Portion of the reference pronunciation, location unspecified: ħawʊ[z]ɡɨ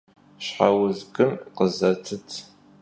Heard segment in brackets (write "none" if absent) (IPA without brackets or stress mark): z